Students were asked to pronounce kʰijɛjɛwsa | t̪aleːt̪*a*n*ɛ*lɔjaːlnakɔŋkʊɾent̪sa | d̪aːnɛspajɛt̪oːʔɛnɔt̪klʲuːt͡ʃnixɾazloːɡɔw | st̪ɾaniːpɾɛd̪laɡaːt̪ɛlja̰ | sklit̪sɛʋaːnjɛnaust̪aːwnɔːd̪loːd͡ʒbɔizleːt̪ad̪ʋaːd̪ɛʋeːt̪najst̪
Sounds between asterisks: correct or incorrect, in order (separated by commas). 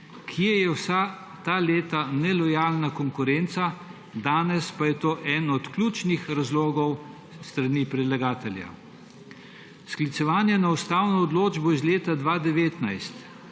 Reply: correct, correct